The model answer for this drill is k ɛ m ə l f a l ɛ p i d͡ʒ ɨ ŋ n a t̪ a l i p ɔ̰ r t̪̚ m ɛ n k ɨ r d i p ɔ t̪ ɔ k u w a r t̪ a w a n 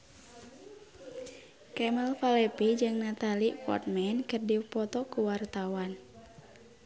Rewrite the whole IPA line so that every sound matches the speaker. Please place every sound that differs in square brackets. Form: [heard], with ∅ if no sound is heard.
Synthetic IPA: k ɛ m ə l f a l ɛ p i d͡ʒ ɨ ŋ n a t̪ a l i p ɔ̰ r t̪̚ m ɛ n k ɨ r d i p ɔ t̪ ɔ k u w a r t̪ a w a n